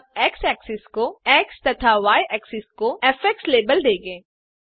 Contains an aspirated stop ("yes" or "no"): yes